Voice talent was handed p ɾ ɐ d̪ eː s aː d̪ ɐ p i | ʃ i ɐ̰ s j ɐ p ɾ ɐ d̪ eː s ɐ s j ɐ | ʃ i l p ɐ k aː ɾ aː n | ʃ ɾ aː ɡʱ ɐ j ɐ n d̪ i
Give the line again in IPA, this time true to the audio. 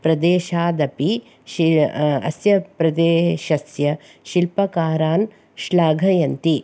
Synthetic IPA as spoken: p ɾ ɐ d̪ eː ʃ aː d̪ ɐ p i | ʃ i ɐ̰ s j ɐ p ɾ ɐ d̪ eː ʃ ɐ s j ɐ | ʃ i l p ɐ k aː ɾ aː n | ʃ l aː ɡʱ ɐ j ɐ n t̪ i

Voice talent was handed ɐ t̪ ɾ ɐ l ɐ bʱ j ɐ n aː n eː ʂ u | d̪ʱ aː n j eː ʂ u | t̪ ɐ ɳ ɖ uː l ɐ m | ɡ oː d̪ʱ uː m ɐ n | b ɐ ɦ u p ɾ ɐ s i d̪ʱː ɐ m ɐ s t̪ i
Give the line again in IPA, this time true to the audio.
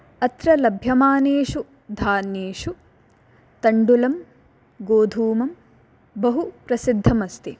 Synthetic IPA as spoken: ɐ t̪ ɾ ɐ l ɐ bʱ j ɐ m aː n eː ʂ u | d̪ʱ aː n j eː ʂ u | t̪ ɐ ɳ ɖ u l ɐ m | ɡ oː d̪ʱ uː m ɐ m | b ɐ ɦ u p ɾ ɐ s i d̪ʱː ɐ m ɐ s t̪ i

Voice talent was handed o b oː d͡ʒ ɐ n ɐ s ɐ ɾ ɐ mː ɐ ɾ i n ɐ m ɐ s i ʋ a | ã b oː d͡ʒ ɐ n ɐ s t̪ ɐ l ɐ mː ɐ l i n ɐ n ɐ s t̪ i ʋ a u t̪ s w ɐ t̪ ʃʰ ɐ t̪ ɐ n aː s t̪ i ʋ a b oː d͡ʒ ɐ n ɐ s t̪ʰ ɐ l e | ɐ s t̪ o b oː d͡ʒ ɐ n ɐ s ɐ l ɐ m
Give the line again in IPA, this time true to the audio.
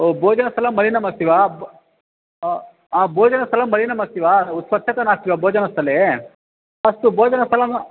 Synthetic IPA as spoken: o b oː d͡ʒ ɐ n ɐ s ɐ l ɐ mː ɐ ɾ i n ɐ m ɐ s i ʋ a | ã b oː d͡ʒ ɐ n ɐ s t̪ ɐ l ɐ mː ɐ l i n ɐ m ɐ s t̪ i ʋ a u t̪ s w ɐ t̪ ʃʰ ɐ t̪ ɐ n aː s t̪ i ʋ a b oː d͡ʒ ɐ n ɐ s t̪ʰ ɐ l e | ɐ s t̪ u b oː d͡ʒ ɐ n ɐ s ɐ l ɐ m

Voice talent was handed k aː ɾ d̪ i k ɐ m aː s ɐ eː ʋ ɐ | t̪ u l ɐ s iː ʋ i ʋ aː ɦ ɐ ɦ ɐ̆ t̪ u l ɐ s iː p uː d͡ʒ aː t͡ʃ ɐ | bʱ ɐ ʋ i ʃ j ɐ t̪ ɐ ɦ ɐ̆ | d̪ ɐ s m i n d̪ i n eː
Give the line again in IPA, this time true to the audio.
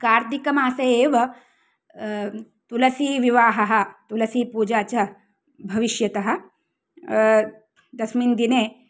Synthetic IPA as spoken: k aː ɾ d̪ i k ɐ m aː s ɐ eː ʋ ɐ | t̪ u l ɐ s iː ʋ i ʋ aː ɦ ɐ ɦ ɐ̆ t̪ u l ɐ s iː p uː d͡ʒ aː t͡ʃ ɐ | bʱ ɐ ʋ i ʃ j ɐ t̪ ɐ ɦ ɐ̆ | d̪ ɐ s m i n d̪ i n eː

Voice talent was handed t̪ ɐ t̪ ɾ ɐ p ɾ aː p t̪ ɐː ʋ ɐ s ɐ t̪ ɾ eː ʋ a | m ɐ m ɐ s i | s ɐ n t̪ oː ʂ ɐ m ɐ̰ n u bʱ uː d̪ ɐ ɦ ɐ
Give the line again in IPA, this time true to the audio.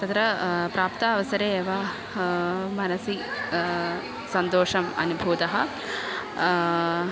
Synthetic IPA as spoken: t̪ ɐ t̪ ɾ ɐ p ɾ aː p t̪ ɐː ʋ ɐ s ɐ ɾ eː ʋ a | m ɐ n ɐ s i | s ɐ n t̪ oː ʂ ɐ m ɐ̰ n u bʱ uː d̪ ɐ ɦ ɐ

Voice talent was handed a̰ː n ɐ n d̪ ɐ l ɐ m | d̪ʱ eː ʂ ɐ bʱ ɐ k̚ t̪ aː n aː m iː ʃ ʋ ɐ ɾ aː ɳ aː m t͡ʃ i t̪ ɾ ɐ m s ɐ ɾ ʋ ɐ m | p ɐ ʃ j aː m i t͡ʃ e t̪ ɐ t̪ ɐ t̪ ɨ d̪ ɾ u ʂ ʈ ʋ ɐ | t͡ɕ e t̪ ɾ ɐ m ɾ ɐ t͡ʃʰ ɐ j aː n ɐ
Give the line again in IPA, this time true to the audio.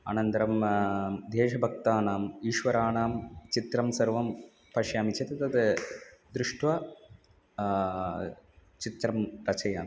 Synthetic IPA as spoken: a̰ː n ɐ n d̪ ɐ ɾ ɐ m | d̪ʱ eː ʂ ɐ bʱ ɐ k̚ t̪ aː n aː m iː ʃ ʋ ɐ ɾ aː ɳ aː m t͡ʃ i t̪ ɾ ɐ m s ɐ ɾ ʋ ɐ m | p ɐ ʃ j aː m i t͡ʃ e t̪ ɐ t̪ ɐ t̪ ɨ d̪ ɾ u ʂ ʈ ʋ ɐ | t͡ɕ i t̪ ɾ ɐ m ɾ ɐ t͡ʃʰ ɐ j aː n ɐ

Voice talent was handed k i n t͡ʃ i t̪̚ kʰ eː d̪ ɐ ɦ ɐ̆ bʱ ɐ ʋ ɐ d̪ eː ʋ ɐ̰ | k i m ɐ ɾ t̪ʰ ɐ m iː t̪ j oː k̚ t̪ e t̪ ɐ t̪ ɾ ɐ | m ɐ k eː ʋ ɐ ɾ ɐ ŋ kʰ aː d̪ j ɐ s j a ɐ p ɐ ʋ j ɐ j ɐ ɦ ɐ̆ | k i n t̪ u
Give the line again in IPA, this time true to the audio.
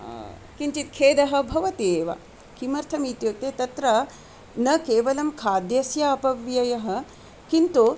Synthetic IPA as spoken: k i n t͡ʃ i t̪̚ kʰ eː d̪ ɐ ɦ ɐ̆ bʱ ɐ ʋ ɐ t̪ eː ʋ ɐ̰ | k i m ɐ ɾ t̪ʰ ɐ m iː t̪ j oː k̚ t̪ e t̪ ɐ t̪ ɾ ɐ | n ɐ k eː ʋ ɐ l ɐ m kʰ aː d̪ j ɐ s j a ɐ p ɐ ʋ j ɐ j ɐ ɦ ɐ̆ | k i n t̪ u

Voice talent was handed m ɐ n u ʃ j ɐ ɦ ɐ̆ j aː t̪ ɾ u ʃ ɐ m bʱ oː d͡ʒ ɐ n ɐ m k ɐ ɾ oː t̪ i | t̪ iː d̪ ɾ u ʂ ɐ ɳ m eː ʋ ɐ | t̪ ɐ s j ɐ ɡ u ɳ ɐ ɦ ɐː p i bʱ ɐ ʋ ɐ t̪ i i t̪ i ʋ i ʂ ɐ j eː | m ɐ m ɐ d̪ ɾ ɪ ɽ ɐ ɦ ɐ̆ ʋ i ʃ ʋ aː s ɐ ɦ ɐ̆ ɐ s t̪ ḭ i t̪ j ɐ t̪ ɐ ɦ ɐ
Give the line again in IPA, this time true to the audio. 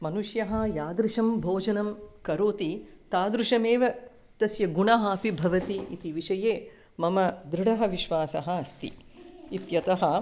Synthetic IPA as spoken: m ɐ n u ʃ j ɐ ɦ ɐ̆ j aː d̪ ɾ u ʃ ɐ m bʱ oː d͡ʒ ɐ n ɐ m k ɐ ɾ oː t̪ i | t̪ aː d̪ ɾ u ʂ ɐ m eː ʋ ɐ | t̪ ɐ s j ɐ ɡ u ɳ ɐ ɦ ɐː p i bʱ ɐ ʋ ɐ t̪ i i t̪ i ʋ i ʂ ɐ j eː | m ɐ m ɐ d̪ ɾ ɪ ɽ ɐ ɦ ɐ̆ ʋ i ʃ ʋ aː s ɐ ɦ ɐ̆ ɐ s t̪ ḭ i t̪ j ɐ t̪ ɐ ɦ ɐ

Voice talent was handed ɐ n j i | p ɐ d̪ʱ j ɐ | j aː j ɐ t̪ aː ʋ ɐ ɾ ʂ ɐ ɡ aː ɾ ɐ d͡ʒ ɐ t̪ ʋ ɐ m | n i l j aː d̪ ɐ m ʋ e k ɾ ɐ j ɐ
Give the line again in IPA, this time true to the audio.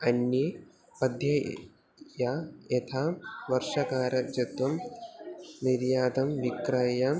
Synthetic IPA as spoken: ɐ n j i | p ɐ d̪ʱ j ɐ | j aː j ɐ t̪ʰ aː ʋ ɐ ɾ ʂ ɐ k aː ɾ ɐ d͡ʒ ɐ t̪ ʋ ɐ m | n i ɾ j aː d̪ ɐ m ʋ i k ɾ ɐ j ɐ

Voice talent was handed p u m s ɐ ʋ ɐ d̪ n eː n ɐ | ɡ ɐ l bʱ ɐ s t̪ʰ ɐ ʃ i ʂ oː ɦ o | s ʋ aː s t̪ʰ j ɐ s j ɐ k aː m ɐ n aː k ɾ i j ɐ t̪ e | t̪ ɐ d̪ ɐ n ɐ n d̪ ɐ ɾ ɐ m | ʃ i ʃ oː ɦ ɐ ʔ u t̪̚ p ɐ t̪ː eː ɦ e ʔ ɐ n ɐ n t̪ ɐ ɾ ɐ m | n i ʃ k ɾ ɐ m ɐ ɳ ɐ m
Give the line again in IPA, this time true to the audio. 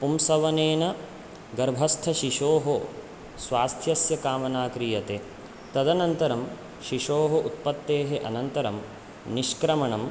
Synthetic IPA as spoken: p u m s ɐ ʋ ɐ n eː n ɐ | ɡ ɐ ɾ bʱ ɐ s t̪ʰ ɐ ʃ i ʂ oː ɦ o | s ʋ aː s t̪ʰ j ɐ s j ɐ k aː m ɐ n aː k ɾ i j ɐ t̪ e | t̪ ɐ d̪ ɐ n ɐ n t̪ ɐ ɾ ɐ m | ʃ i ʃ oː ɦ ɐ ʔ u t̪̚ p ɐ t̪ː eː ɦ e ʔ ɐ n ɐ n t̪ ɐ ɾ ɐ m | n i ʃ k ɾ ɐ m ɐ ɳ ɐ m

